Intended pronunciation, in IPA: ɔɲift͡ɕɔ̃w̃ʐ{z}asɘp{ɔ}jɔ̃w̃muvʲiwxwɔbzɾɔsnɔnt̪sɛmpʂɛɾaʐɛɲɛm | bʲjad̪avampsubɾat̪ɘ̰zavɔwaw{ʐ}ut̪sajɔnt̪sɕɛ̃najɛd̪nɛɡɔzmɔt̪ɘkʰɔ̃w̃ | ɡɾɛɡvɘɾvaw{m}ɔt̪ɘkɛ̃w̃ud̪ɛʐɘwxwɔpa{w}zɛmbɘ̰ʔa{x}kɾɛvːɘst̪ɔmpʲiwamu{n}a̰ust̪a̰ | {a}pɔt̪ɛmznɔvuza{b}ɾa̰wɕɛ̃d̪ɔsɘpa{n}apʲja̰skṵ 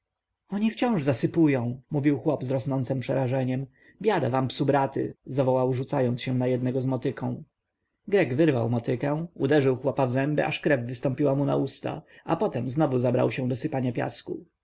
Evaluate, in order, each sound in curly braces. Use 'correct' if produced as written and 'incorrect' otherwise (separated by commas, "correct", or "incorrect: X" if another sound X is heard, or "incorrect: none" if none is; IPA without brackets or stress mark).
correct, incorrect: u, correct, correct, incorrect: v, incorrect: ʂ, correct, correct, correct, incorrect: ɲ